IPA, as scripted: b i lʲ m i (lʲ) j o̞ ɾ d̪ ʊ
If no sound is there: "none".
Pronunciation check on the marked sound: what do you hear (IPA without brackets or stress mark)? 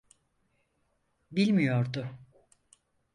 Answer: none